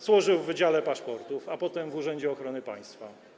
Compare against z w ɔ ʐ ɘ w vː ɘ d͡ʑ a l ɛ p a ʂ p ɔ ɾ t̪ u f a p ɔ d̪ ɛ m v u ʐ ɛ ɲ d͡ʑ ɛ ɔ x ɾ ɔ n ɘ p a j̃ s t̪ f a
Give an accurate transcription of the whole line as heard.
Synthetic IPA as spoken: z w ɔ ʐ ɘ w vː ɘ d͡ʑ a l ɛ p a ʂ p ɔ ɾ t̪ u f a p ɔ t̪ ɛ m v u ʐ ɛ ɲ d͡ʑ ɛ ɔ x ɾ ɔ n ɘ p a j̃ s t̪ f a